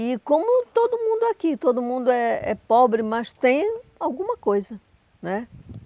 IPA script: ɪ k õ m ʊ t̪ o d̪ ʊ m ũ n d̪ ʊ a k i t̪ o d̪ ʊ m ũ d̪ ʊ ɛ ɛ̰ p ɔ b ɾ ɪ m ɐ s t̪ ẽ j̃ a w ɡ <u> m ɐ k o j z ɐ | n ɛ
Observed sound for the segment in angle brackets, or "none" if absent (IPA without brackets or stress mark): ũ